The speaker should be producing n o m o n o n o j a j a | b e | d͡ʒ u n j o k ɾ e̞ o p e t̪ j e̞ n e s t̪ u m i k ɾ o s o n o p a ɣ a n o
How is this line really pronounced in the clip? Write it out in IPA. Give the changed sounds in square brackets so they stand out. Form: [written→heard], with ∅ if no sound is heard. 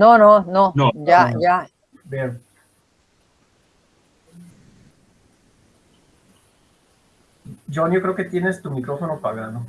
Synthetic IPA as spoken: n o [m→n] o n o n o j a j a | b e | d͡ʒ [u→o] n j o k ɾ e̞ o [p→k] e t̪ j e̞ n e s t̪ u m i k ɾ o [s→f] o n o p a ɣ a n o